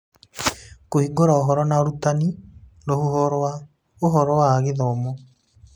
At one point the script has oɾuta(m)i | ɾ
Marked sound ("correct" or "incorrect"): incorrect